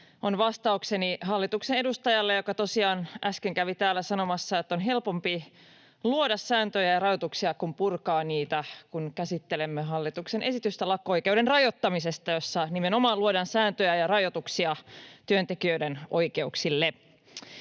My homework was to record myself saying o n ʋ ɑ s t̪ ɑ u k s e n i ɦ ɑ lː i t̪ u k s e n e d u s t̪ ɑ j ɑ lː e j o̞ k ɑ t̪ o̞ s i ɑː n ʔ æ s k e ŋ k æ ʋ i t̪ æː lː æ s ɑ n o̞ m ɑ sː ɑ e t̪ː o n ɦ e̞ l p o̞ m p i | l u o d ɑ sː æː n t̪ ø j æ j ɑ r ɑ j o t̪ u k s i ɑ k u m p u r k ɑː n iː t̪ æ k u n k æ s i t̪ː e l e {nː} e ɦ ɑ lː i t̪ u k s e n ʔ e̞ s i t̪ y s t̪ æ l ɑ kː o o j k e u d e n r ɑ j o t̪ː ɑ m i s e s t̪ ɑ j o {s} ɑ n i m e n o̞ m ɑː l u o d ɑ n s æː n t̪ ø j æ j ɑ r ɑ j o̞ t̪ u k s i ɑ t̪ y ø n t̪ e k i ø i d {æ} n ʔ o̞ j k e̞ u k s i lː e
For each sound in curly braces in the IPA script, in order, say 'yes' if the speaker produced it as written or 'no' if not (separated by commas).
no, no, no